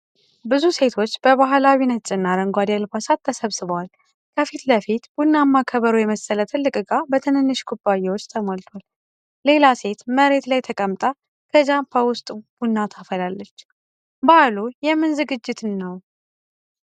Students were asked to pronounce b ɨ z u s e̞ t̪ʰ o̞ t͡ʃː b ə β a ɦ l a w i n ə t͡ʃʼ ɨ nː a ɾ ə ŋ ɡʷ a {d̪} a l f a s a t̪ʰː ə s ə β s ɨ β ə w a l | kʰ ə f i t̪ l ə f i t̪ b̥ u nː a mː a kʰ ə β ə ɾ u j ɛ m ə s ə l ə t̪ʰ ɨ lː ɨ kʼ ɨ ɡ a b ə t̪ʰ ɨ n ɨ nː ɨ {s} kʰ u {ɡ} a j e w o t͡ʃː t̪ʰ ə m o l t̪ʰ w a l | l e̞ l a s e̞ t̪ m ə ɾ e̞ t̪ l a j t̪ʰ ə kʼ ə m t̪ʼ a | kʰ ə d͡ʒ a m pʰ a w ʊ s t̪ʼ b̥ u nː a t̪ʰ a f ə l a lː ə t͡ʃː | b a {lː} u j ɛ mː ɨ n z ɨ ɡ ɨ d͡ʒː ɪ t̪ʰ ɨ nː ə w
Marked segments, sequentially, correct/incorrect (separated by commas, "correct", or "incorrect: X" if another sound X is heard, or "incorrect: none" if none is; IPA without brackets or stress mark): correct, incorrect: ʃ, incorrect: b, incorrect: l